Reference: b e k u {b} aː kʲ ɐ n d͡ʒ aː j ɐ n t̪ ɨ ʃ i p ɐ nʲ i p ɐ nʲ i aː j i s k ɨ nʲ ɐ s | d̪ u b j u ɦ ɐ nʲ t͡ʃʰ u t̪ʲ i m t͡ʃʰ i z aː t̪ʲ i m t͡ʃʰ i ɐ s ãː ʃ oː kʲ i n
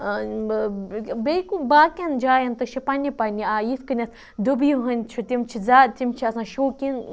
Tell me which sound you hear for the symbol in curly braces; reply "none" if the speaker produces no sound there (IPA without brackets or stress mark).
b